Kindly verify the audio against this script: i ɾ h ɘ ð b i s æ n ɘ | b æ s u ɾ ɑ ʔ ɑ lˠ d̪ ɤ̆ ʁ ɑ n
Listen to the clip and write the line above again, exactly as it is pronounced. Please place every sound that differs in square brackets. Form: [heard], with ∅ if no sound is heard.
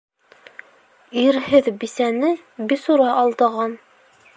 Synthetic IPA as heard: i ɾ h ɘ ð b i s æ n ɘ | b [i] s u ɾ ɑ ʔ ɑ lˠ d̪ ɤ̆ ʁ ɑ n

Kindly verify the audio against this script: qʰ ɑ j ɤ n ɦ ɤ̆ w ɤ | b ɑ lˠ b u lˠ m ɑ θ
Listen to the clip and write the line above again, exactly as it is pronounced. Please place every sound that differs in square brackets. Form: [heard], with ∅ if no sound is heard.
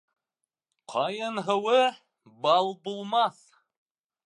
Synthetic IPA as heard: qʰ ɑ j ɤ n ɦ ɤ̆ w ɤ | b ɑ lˠ b u lˠ m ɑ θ

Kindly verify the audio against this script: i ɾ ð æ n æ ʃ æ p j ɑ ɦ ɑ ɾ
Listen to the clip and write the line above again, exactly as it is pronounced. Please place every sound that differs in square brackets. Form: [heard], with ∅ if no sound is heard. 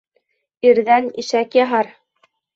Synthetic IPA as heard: i ɾ ð æ n [i] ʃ æ [k] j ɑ ɦ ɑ ɾ

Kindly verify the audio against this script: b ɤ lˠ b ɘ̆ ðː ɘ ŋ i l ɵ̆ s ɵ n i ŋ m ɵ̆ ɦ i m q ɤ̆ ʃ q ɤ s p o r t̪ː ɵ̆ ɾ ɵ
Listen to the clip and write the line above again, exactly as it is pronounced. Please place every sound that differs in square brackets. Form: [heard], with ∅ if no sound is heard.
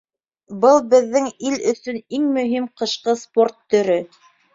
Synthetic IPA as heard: b ɤ lˠ b ɘ̆ ðː ɘ ŋ i l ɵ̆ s ɵ n i ŋ m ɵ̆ ɦ i m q ɤ̆ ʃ q ɤ s p o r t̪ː ɵ̆ ɾ ɵ

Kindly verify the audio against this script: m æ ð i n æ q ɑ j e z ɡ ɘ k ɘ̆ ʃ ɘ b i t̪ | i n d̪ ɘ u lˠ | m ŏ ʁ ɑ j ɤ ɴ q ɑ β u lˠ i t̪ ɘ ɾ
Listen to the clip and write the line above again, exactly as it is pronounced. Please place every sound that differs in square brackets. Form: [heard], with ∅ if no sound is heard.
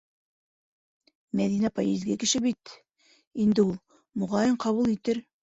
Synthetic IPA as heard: m æ ð i n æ [p] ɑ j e z ɡ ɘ k ɘ̆ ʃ ɘ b i t̪ | i n d̪ ɘ u lˠ | m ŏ ʁ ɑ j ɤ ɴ q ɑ β u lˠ i t̪ ɘ ɾ

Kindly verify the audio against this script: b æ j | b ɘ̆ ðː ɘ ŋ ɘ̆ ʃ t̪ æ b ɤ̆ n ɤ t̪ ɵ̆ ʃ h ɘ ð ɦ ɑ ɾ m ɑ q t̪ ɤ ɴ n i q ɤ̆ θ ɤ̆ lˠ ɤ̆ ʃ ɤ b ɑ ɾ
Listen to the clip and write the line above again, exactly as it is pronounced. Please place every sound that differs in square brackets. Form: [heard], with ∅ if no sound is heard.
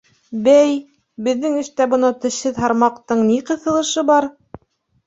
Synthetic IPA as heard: b æ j | b ɘ̆ ðː ɘ ŋ ɘ̆ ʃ t̪ æ b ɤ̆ n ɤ t̪ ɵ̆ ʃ h ɘ ð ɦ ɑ ɾ m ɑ q t̪ ɤ ɴ n i q ɤ̆ θ ɤ̆ lˠ ɤ̆ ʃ ɤ b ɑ ɾ

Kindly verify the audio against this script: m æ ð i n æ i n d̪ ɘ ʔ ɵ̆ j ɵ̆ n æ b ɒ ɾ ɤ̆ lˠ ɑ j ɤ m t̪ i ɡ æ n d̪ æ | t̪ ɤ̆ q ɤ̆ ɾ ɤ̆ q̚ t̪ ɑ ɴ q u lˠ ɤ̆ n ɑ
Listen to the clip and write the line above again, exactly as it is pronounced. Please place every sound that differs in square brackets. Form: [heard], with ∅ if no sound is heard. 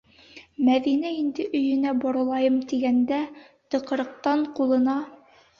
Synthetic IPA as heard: m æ ð i n æ i n d̪ ɘ ʔ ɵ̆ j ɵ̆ n æ b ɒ ɾ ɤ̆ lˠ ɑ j ɤ m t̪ i ɡ æ n d̪ æ | t̪ ɤ̆ q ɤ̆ ɾ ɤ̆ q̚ t̪ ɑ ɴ q u lˠ ɤ̆ n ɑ

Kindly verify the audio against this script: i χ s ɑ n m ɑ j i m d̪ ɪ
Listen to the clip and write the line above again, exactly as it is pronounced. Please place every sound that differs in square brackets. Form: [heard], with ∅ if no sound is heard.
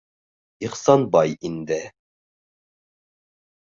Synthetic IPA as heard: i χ s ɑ n [b] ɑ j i [n] d̪ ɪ

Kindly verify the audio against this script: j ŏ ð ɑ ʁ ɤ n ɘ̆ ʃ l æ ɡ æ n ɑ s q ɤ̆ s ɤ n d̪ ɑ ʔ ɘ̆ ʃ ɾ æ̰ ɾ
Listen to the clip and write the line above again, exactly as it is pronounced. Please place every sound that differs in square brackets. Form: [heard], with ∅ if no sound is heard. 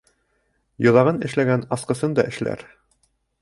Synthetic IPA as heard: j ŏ ð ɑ ʁ ɤ n ɘ̆ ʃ l æ ɡ æ n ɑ s q ɤ̆ s ɤ n d̪ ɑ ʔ ɘ̆ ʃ [l] æ̰ ɾ

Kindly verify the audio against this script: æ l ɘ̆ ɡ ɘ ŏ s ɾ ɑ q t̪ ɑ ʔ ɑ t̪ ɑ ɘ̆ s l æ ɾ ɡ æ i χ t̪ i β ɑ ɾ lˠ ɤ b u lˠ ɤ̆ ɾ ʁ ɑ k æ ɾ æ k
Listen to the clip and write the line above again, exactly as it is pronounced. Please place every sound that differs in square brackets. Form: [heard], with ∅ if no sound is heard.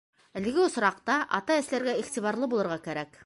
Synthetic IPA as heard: æ l ɘ̆ ɡ ɘ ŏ s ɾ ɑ q t̪ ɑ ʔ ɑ t̪ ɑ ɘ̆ s l æ ɾ ɡ æ i χ t̪ i β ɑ ɾ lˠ ɤ b u lˠ ɤ̆ ɾ ʁ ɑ k æ ɾ æ k

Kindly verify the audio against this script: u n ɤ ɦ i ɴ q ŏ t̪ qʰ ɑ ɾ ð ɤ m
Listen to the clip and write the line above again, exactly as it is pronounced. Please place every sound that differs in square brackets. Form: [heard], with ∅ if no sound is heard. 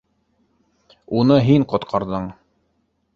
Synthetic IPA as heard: u n ɤ ɦ i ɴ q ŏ t̪ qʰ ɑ ɾ ð ɤ [ɴ]

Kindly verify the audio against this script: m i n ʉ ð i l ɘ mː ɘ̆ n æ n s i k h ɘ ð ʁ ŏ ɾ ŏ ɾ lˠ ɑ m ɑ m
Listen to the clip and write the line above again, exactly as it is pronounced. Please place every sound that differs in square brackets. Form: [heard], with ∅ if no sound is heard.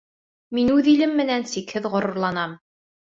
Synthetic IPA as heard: m i n ʉ ð i l ɘ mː ɘ̆ n æ n s i k h ɘ ð ʁ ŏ ɾ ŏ ɾ lˠ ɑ [n] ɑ m

